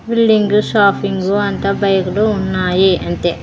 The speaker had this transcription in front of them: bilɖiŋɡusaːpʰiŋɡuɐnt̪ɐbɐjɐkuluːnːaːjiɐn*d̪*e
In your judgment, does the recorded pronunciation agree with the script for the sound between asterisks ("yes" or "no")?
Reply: no